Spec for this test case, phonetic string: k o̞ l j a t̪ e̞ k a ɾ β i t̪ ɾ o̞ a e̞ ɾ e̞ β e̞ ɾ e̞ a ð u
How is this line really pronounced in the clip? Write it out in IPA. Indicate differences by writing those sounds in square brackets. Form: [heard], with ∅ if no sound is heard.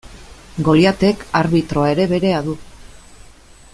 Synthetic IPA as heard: [ɡ] o̞ l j a t̪ e̞ k a ɾ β i t̪ ɾ o̞ a e̞ ɾ e̞ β e̞ ɾ e̞ a ð u